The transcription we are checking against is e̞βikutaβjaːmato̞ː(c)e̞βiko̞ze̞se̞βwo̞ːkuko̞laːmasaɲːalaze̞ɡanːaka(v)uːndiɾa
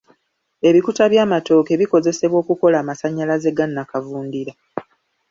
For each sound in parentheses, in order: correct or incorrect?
incorrect: k, correct

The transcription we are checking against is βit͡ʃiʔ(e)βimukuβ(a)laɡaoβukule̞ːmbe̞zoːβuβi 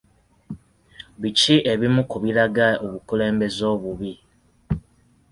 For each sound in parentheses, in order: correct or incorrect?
correct, incorrect: i

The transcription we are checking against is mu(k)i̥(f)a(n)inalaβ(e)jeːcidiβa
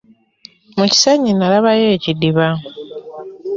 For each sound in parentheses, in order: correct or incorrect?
incorrect: c, incorrect: s, incorrect: ɲ, incorrect: a

